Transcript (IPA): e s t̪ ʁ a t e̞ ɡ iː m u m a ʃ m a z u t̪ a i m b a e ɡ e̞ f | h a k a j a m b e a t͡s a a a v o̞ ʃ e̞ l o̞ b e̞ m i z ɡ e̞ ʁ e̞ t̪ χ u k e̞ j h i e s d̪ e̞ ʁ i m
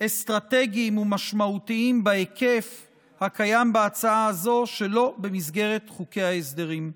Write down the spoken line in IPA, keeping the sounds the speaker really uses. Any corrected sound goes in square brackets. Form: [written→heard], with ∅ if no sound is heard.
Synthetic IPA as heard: e s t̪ ʁ a t e̞ ɡ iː m u m a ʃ m a [z→∅] u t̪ [a→i] i m b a e [ɡ→k] e̞ f | h a k a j a m b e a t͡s a a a [v→z] o̞ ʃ e̞ l o̞ b e̞ m i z ɡ e̞ ʁ e̞ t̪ χ u k e̞ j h [i→a] e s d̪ e̞ ʁ i m